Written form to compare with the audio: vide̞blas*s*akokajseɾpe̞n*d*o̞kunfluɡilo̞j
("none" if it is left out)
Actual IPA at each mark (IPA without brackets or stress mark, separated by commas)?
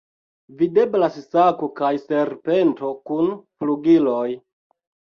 s, t